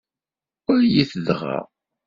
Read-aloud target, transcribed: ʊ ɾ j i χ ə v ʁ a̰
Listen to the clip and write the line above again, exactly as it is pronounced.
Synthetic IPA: ʊ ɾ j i θ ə ð ʁ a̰